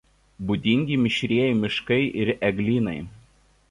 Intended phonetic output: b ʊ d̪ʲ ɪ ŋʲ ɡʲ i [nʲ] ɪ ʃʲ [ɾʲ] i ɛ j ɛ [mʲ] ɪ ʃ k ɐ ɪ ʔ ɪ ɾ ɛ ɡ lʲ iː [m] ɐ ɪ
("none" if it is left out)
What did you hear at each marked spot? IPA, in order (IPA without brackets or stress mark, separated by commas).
mʲ, ɾʲ, mʲ, n